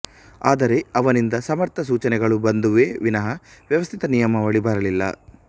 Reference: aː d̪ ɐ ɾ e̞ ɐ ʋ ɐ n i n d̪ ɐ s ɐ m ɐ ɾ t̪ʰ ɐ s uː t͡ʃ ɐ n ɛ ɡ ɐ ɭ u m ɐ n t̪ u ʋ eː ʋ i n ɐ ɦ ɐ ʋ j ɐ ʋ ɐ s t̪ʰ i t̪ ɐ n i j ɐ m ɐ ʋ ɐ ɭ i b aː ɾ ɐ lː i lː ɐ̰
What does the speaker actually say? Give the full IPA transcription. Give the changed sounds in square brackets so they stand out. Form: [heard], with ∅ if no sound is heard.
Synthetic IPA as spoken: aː d̪ ɐ ɾ e̞ ɐ ʋ ɐ n i n d̪ ɐ s ɐ m ɐ ɾ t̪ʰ ɐ s uː t͡ʃ ɐ n ɛ ɡ ɐ ɭ u [b] ɐ n [d̪] u ʋ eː ʋ i n ɐ ɦ ɐ ʋ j ɐ ʋ ɐ s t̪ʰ i t̪ ɐ n i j ɐ m ɐ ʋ ɐ ɭ i b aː ɾ ɐ [l] i lː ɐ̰